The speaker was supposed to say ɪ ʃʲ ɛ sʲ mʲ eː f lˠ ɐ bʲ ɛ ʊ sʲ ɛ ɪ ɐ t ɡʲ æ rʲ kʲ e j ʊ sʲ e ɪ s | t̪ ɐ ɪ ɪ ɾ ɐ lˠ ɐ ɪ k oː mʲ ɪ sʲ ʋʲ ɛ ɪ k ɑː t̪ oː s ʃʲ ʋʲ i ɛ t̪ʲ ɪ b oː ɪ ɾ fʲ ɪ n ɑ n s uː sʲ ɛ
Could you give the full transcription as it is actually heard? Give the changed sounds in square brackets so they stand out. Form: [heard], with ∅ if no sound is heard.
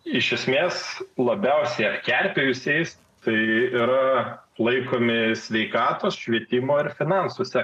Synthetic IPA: ɪ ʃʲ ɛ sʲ mʲ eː [s] lˠ ɐ bʲ ɛ ʊ sʲ ɛ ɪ ɐ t [kʲ] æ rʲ [pʲ] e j ʊ sʲ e ɪ s | t̪ ɐ ɪ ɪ ɾ ɐ lˠ ɐ ɪ k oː mʲ ɪ sʲ ʋʲ ɛ ɪ k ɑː t̪ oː s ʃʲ ʋʲ i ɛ t̪ʲ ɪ [m] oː ɪ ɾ fʲ ɪ n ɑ n s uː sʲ ɛ